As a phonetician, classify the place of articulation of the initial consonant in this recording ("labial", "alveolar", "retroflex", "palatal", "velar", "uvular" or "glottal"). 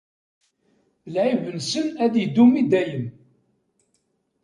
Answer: alveolar